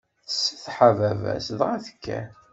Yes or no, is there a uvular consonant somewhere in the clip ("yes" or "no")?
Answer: yes